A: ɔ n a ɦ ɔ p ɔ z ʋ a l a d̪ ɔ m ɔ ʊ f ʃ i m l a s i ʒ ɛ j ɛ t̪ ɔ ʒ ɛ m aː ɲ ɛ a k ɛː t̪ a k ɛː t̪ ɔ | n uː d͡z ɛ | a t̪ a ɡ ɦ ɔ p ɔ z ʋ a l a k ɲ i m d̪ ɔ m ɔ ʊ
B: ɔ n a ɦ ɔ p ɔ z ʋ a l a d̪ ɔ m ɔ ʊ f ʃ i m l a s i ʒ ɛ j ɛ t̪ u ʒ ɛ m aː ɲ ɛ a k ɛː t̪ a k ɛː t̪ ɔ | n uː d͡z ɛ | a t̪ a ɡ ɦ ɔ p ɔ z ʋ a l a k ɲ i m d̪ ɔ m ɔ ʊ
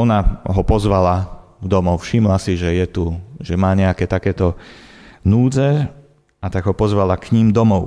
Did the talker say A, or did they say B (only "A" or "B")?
B